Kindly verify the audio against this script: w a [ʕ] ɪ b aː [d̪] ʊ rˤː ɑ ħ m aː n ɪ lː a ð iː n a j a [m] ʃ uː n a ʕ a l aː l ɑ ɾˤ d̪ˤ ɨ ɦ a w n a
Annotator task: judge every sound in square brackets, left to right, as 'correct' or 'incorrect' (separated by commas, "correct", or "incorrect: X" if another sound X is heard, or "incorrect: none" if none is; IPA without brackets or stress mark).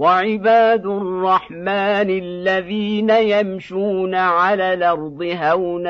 correct, correct, correct